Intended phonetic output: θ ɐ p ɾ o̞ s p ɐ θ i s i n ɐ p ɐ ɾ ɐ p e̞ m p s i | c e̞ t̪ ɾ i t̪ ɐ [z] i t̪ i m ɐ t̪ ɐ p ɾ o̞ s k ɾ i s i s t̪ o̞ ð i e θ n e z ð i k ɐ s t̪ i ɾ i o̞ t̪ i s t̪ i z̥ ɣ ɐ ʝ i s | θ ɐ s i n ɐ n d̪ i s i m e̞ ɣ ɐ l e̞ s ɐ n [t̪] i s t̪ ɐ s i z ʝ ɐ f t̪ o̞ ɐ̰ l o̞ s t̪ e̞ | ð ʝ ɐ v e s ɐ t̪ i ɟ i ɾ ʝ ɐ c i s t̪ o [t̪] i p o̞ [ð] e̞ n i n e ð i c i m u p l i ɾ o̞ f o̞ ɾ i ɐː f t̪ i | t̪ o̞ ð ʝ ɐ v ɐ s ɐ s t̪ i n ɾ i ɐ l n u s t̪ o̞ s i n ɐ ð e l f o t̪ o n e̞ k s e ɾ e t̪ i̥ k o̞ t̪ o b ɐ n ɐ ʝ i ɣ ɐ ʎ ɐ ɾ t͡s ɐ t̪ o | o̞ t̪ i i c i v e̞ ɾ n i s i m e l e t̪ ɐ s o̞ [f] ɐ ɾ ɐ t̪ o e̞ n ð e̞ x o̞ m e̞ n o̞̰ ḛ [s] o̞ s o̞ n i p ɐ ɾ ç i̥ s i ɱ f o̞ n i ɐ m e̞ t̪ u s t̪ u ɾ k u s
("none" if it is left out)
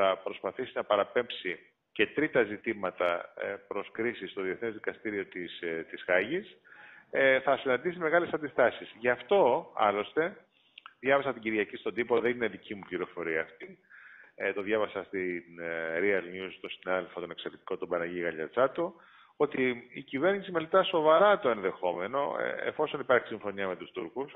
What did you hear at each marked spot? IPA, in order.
z, d̪, d̪, ð, v, f

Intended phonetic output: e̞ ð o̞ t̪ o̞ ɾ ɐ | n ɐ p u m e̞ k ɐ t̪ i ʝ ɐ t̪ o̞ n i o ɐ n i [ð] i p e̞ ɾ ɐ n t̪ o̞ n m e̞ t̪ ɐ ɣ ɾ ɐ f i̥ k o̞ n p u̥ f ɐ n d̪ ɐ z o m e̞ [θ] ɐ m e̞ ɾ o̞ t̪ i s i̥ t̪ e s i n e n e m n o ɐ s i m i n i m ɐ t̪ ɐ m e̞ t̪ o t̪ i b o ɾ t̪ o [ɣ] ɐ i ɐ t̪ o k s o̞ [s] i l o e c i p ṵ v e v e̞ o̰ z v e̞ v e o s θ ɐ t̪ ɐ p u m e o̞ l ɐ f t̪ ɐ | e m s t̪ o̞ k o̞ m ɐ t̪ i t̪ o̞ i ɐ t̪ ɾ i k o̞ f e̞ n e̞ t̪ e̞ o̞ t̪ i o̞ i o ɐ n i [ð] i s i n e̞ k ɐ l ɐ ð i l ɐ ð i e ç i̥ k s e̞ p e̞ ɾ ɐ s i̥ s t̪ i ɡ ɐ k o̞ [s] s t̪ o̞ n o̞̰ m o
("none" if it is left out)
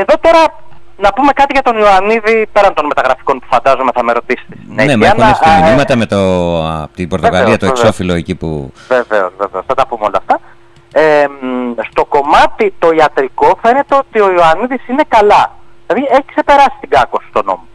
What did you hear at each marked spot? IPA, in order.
ð, θ, ɣ, f, ð, s

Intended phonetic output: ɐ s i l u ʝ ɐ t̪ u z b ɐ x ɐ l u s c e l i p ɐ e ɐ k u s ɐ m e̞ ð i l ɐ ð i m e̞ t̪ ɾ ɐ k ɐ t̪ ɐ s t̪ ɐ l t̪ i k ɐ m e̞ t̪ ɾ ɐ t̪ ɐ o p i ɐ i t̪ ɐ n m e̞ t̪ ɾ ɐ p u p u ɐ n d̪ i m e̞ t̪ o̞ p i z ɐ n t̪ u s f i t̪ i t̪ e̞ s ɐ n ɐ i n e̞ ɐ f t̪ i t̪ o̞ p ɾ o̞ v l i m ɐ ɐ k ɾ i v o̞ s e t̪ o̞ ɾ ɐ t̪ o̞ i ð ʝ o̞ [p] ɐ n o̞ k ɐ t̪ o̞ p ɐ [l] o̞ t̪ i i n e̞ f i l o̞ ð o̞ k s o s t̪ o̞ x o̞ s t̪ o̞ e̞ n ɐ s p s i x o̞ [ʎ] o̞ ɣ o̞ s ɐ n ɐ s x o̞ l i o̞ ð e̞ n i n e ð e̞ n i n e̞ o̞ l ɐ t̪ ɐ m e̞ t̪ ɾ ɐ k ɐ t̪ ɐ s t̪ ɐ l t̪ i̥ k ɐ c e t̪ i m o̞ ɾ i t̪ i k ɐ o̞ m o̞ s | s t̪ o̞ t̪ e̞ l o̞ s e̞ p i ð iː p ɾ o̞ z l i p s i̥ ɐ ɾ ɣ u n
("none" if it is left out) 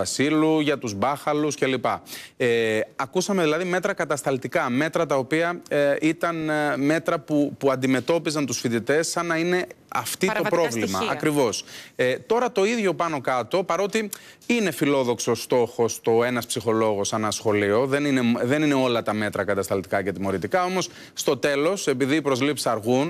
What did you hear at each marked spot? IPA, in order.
p, ɾ, l

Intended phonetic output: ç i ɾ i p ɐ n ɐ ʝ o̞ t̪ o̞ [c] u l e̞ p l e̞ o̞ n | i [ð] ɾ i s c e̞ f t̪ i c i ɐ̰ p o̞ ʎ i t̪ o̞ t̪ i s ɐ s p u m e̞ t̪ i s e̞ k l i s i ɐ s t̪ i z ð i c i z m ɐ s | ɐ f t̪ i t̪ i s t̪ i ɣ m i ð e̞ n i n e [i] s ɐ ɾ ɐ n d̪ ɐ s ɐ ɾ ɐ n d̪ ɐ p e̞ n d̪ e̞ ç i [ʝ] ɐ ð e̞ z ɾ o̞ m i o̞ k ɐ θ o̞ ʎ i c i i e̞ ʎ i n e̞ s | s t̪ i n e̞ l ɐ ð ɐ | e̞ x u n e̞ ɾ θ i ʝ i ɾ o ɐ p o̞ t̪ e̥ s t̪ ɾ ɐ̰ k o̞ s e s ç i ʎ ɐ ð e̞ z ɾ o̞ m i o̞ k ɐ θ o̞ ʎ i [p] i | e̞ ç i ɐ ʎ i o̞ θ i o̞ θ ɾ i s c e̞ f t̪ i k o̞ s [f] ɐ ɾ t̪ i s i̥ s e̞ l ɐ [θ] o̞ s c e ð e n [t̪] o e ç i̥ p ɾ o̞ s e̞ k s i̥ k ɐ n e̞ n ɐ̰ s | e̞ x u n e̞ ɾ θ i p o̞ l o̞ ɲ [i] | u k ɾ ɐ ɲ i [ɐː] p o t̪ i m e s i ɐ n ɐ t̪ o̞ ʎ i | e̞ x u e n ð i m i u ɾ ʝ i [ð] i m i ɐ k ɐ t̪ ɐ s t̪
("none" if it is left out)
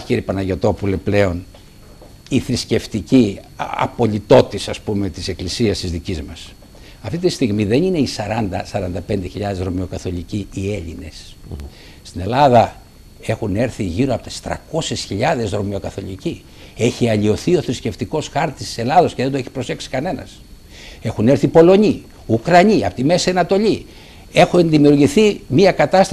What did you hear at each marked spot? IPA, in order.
p, θ, i, ʎ, c, x, ð, d̪, i, ɐ, θ

